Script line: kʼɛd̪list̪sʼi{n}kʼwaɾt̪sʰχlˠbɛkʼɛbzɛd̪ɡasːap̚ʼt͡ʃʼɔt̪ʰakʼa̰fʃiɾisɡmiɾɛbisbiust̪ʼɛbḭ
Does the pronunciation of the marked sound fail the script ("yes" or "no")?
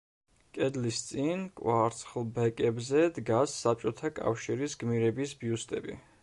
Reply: no